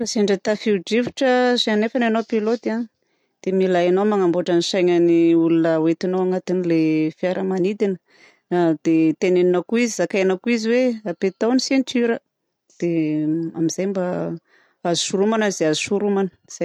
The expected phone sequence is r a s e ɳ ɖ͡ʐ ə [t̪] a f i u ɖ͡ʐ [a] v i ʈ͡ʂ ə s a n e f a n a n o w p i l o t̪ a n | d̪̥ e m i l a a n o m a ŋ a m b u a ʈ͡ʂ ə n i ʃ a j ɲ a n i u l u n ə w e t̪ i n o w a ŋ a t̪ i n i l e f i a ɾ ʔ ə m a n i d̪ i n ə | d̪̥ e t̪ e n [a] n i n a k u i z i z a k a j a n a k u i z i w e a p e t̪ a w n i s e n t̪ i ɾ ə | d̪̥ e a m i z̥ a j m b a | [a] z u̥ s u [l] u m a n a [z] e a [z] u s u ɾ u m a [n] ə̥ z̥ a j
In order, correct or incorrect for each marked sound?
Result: correct, incorrect, incorrect, correct, incorrect, correct, correct, correct

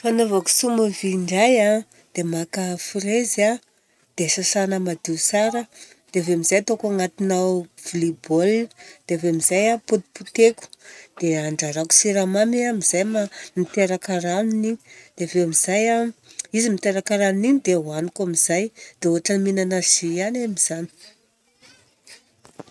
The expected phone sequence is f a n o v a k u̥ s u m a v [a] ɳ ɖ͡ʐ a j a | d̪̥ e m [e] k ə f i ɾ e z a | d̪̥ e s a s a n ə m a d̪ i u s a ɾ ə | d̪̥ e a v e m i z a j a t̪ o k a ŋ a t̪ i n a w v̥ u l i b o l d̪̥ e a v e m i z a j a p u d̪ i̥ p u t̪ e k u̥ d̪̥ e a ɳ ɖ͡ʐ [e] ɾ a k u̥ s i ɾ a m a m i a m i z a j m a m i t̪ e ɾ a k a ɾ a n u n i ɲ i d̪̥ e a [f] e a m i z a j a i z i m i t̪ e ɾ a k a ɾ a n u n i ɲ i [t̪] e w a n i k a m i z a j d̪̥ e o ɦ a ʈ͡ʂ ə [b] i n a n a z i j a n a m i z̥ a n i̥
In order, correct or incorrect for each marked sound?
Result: incorrect, incorrect, incorrect, incorrect, incorrect, incorrect

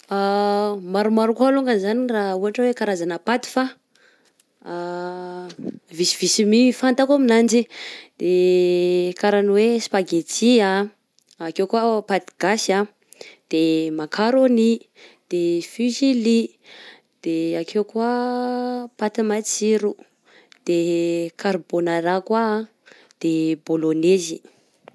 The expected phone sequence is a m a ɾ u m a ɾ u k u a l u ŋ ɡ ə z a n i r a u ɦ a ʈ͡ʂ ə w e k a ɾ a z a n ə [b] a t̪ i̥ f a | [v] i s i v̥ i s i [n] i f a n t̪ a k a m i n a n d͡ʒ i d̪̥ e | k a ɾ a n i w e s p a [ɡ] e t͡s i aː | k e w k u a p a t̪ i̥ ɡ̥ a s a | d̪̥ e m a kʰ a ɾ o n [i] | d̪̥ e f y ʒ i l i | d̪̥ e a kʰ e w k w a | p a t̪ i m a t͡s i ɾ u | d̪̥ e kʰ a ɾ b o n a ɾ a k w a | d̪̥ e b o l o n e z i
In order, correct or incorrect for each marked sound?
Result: incorrect, correct, incorrect, correct, correct

